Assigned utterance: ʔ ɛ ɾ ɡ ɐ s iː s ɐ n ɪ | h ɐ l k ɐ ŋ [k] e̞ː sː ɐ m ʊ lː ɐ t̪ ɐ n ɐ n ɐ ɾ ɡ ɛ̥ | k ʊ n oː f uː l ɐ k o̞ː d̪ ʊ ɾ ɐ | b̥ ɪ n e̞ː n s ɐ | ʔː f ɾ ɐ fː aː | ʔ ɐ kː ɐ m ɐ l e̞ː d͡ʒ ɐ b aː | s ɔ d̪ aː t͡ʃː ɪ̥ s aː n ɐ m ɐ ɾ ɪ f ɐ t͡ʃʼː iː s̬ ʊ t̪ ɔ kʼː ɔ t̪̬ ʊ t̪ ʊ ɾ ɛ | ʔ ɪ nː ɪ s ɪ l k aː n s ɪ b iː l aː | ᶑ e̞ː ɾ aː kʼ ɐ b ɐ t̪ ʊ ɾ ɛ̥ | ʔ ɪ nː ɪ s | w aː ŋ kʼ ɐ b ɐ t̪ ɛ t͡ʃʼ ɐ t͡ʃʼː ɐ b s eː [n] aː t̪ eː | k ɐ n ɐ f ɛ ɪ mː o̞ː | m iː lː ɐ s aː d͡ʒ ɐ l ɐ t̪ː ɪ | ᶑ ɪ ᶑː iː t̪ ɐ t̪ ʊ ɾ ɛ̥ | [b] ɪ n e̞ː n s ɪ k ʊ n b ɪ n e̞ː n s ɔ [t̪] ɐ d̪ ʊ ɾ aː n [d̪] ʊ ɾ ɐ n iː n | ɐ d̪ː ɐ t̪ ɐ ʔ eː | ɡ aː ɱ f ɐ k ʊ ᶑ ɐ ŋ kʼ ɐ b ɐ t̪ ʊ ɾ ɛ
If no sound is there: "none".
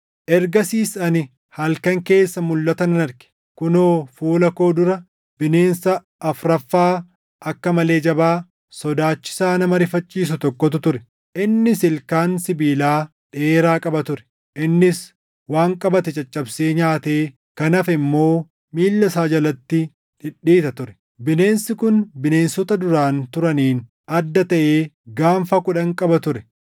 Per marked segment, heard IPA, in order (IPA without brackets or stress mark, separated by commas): k, ɲ, b, t̪, t̪